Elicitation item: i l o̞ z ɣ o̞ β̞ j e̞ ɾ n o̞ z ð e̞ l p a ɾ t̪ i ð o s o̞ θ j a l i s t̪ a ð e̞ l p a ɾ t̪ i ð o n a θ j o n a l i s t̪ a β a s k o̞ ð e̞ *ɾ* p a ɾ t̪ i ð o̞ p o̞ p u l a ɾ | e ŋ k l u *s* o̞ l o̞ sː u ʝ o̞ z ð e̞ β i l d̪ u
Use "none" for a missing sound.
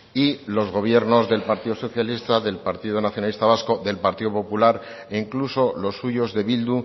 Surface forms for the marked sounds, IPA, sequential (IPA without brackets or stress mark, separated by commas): l, s